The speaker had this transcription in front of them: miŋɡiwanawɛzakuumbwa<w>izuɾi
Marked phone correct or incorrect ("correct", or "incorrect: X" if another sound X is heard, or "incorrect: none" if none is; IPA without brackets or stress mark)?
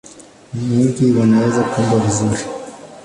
incorrect: v